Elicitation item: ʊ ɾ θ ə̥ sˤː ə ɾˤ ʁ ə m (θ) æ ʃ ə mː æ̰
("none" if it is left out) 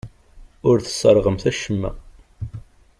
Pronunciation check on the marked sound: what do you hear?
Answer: θ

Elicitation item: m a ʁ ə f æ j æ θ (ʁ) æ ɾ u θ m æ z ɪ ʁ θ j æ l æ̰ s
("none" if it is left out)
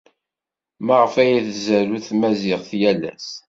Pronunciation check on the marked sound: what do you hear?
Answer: z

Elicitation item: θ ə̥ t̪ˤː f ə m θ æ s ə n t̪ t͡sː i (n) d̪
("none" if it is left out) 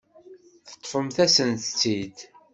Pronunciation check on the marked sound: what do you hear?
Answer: none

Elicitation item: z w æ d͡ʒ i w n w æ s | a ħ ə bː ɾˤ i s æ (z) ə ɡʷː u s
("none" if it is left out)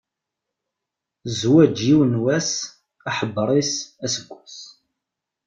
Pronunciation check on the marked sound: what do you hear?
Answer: s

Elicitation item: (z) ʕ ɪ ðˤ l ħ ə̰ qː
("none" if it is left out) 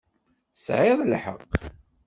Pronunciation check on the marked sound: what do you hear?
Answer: s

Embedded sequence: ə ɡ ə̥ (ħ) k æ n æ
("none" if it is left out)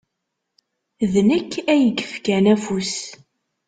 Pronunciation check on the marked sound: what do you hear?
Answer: f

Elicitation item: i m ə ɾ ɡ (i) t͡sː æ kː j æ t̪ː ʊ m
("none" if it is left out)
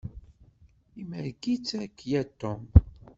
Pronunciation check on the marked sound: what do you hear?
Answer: i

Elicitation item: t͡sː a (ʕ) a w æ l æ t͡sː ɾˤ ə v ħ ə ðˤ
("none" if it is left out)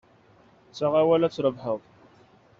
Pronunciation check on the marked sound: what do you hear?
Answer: ʁ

